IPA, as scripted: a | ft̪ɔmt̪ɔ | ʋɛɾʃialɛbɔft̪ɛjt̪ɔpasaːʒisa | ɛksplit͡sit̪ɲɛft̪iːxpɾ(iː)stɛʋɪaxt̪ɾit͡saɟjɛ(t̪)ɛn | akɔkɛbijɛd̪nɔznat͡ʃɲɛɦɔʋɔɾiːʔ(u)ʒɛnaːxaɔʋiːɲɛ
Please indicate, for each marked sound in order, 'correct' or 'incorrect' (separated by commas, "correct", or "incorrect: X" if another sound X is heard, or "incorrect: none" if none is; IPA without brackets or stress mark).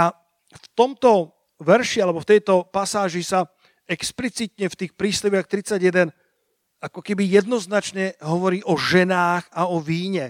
correct, incorrect: d̪, incorrect: ɔ